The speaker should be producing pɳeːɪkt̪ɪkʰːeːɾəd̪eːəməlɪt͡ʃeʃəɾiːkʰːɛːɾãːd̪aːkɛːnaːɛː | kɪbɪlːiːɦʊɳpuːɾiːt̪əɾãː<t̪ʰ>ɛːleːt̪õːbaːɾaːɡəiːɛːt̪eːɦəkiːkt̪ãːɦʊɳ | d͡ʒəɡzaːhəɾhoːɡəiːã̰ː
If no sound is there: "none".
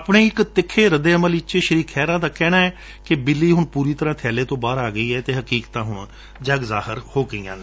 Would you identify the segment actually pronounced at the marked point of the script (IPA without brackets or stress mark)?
t̪ʰ